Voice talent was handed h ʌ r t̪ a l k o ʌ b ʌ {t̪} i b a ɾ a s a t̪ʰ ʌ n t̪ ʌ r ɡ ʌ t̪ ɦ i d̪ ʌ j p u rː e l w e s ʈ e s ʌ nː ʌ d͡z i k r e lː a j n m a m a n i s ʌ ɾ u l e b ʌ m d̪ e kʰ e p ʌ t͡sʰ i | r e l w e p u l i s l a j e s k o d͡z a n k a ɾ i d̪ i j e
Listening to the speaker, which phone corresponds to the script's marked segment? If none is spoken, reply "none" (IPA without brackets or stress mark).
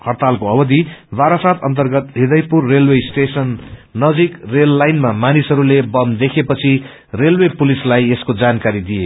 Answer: d̪